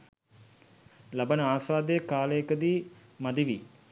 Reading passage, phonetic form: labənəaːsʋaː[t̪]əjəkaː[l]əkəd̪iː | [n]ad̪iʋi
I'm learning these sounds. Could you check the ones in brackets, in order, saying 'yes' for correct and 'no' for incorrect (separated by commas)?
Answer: no, yes, no